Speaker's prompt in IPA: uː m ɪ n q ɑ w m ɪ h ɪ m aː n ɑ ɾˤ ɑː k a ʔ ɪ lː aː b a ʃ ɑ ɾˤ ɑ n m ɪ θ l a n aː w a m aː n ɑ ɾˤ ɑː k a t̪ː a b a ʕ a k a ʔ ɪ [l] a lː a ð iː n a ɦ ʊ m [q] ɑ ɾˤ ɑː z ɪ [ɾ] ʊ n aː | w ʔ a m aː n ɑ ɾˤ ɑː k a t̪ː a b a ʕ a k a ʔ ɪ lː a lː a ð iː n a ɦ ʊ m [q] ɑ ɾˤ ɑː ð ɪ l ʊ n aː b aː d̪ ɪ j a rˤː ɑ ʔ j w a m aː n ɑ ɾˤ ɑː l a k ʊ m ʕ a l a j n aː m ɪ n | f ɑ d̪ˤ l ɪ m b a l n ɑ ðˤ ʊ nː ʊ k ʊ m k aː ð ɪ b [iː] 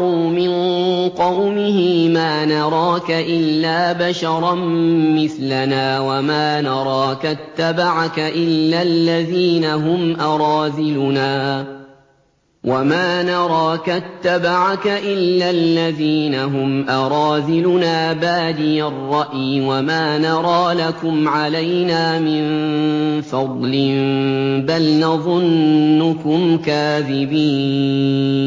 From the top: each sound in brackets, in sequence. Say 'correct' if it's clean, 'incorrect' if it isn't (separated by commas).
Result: incorrect, incorrect, incorrect, incorrect, correct